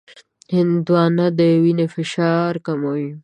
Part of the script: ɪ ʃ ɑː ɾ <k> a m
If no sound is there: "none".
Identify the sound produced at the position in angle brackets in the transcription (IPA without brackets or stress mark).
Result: k